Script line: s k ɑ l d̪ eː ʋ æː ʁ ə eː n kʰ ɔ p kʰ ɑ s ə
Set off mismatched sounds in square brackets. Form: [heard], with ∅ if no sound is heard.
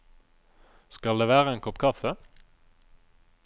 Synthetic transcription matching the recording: s k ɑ l d̪ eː ʋ æː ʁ ə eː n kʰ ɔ p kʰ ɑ [f] ə